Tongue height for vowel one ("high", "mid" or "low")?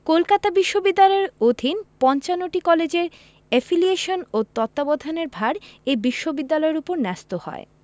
mid